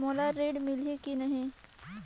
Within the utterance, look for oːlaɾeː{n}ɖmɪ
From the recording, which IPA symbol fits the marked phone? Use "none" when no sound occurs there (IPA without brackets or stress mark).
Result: none